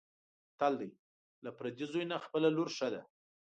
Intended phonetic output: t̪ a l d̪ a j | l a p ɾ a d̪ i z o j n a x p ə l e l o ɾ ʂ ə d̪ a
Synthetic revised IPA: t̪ a l d̪ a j | l a p ɾ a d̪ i z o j n a x p ə l a l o ɾ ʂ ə d̪ a